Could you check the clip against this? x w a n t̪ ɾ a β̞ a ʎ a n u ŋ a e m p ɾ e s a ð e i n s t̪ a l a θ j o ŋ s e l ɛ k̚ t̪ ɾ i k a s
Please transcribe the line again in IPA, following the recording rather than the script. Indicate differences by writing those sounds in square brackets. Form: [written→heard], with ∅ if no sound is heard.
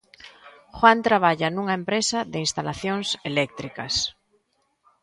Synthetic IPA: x w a n t̪ ɾ a β̞ a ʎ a n u ŋ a e m p ɾ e s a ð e i n s t̪ a l a θ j o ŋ s e l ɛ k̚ t̪ ɾ i k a s